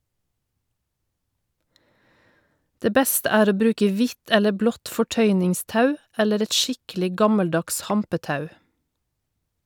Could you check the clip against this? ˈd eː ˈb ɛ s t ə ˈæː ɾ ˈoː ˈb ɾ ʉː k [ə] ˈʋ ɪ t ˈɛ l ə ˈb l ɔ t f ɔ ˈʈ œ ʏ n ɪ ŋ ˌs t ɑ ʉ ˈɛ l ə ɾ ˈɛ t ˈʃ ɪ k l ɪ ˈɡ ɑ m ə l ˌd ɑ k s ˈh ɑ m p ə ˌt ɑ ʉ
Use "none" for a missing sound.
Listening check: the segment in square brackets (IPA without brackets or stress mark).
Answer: ə